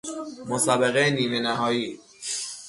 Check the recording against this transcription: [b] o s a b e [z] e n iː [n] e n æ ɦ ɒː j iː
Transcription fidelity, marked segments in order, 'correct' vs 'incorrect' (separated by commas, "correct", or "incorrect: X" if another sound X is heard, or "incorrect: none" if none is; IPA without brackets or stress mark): incorrect: m, incorrect: ɣ, incorrect: m